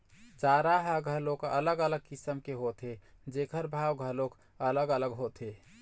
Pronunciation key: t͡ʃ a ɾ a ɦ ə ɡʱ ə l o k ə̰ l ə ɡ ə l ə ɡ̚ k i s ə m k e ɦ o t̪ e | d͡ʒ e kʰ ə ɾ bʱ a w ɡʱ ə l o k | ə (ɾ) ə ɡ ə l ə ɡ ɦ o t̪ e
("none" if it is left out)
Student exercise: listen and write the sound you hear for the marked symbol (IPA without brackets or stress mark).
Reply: l